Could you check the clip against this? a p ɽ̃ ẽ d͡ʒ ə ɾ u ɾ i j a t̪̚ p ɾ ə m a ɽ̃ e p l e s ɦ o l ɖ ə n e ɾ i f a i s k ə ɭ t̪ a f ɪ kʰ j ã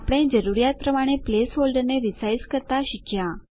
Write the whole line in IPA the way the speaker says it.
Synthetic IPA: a p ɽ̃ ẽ d͡ʒ ə ɾ u ɾ i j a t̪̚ p ɾ ə m a ɽ̃ e p l e s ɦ o l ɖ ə n e ɾ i s a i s k ə ɾ t̪ a ʃ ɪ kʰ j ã